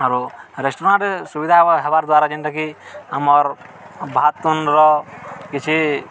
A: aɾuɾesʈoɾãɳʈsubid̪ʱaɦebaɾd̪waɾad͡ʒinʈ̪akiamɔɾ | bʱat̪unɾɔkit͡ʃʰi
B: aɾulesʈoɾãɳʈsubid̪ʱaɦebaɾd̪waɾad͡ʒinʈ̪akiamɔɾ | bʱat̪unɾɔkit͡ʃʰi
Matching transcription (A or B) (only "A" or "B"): A